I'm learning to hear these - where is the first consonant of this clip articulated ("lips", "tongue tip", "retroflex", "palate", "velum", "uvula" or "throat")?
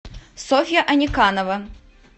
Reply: tongue tip